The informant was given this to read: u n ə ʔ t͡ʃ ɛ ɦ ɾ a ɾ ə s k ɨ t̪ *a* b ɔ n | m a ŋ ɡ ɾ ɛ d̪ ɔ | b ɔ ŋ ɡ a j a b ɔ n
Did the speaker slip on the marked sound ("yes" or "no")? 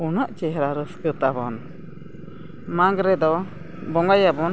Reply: no